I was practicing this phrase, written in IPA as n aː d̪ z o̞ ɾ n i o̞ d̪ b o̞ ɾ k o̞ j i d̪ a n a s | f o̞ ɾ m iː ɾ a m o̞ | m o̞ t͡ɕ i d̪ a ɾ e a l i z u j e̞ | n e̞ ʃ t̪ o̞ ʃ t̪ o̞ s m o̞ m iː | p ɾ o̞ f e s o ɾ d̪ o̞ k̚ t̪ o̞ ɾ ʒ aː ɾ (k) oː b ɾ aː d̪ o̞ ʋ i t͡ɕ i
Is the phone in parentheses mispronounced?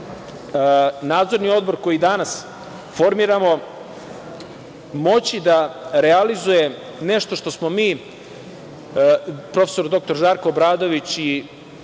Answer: no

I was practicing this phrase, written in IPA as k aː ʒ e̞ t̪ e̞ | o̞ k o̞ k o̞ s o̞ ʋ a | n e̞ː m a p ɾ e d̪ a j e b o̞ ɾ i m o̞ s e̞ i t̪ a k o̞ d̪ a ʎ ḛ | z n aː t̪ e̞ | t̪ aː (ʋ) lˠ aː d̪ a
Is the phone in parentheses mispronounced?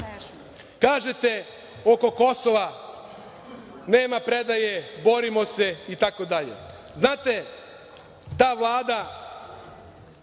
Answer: no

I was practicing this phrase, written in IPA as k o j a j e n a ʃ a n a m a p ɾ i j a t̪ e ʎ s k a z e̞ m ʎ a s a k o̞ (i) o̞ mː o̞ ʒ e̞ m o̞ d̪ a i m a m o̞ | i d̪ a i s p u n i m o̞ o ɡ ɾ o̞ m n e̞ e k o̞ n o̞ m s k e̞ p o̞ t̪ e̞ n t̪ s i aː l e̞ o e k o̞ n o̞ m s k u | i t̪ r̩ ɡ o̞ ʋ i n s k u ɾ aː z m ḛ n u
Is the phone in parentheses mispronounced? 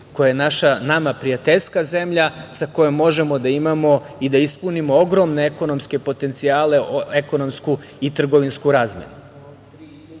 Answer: yes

